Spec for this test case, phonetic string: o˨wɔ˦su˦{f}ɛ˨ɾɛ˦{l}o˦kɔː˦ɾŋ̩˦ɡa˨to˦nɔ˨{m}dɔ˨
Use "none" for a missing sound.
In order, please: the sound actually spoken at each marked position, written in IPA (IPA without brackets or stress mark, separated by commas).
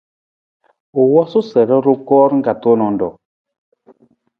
s, ɾ, n